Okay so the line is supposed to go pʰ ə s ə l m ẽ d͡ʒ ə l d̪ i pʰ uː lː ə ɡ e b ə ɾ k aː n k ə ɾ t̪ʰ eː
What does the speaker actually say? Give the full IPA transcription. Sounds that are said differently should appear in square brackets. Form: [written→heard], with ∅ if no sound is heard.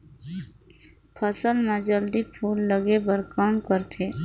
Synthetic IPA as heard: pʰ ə s ə l m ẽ d͡ʒ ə l d̪ i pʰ uː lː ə ɡ e b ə ɾ k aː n k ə ɾ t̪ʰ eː